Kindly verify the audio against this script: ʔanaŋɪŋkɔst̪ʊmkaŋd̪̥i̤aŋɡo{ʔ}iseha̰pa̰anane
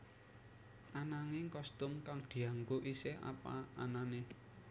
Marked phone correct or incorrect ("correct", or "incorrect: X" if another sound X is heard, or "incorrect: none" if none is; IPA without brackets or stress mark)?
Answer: correct